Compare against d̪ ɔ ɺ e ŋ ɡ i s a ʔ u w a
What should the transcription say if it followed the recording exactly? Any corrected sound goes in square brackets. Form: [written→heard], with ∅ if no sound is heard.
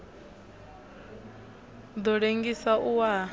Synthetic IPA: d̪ ɔ ɺ e ŋ ɡ i s a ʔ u w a